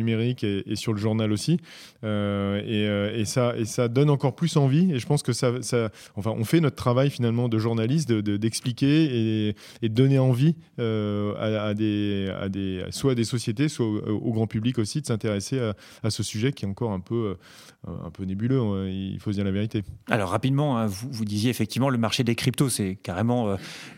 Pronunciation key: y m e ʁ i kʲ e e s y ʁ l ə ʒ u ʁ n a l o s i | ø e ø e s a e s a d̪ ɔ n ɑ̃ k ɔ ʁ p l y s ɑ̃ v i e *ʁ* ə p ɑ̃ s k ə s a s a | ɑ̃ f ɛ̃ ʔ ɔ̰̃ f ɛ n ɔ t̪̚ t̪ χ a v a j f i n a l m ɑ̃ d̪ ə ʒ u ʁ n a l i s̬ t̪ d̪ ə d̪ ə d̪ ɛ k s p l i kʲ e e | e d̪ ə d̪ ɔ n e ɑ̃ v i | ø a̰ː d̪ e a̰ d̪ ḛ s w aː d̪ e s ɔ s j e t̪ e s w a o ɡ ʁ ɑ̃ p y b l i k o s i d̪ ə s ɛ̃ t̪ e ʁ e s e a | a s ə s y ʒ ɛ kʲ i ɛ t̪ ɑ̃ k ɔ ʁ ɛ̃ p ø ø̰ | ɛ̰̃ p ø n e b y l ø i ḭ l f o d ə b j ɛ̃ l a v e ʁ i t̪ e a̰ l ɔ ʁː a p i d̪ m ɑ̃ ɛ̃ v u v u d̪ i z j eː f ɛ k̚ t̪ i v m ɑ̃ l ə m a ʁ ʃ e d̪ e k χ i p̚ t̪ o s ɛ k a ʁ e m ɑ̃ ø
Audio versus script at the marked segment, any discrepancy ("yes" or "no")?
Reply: yes